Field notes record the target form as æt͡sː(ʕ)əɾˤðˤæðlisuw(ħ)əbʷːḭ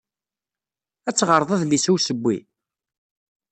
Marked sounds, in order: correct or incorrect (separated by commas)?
incorrect, incorrect